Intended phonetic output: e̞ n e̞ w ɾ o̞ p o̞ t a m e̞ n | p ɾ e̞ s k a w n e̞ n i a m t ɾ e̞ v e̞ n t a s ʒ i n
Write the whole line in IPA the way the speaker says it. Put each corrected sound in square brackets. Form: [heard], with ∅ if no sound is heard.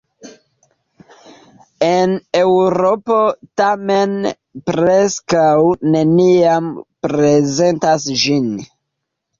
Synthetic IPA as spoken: e̞ n e̞ w ɾ o̞ p o̞ t a m e̞ n | p ɾ e̞ s k a w n e̞ n i a m [p] ɾ e̞ [z] e̞ n t a s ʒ i n